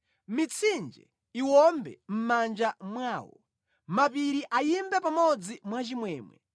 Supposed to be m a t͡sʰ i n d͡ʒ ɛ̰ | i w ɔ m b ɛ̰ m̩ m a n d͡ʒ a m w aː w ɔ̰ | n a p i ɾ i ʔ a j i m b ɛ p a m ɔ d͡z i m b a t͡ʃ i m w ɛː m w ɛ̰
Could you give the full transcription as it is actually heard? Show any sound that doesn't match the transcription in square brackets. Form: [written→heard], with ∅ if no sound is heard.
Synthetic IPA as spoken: m [a→i] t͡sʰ i n d͡ʒ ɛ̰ | i w ɔ m b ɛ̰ m̩ m a n d͡ʒ a m w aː w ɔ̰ | [n→m] a p i ɾ i ʔ a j i m b ɛ p a m ɔ d͡z i m [b→w] a t͡ʃ i m w ɛː m w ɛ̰